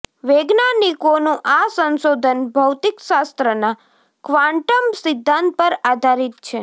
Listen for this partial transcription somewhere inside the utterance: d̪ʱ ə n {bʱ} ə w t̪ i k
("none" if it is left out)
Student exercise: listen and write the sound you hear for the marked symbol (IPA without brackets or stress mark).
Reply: bʱ